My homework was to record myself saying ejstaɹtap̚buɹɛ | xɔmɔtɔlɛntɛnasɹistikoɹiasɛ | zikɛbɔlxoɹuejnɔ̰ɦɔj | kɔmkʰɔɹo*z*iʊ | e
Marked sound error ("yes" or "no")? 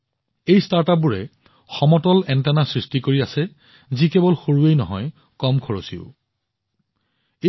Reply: yes